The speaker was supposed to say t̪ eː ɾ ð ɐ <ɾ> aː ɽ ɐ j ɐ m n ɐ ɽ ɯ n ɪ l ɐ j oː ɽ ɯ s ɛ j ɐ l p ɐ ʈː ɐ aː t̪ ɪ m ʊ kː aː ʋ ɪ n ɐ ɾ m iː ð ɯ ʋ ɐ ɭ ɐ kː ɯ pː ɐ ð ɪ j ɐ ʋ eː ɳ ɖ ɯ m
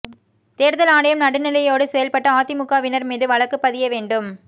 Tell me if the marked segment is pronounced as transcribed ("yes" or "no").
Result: no